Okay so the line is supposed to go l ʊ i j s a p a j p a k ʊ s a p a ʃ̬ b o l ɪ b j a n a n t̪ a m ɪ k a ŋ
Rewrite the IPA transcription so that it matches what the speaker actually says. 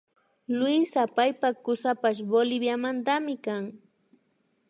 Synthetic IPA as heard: l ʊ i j s a p a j p a k ʊ s a p a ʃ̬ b o l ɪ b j a m a n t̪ a m ɪ k a ŋ